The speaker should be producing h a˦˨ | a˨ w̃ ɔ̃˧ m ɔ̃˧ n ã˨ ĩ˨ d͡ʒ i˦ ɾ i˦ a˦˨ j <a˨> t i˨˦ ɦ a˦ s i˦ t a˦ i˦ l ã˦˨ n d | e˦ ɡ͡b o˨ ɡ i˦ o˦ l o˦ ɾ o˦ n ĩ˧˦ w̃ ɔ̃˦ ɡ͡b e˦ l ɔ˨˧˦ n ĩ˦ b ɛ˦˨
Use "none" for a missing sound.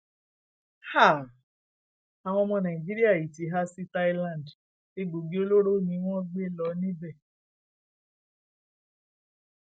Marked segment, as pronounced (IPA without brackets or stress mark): i˨